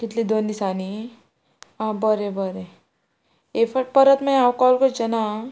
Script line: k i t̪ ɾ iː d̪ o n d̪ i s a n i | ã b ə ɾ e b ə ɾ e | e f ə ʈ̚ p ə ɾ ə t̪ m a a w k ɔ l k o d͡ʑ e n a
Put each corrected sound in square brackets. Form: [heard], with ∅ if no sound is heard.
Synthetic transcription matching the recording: k i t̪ [l] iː d̪ o n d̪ i s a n i | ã b ə ɾ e b ə ɾ e | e f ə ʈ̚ p ə ɾ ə t̪ m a a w k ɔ l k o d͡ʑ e n a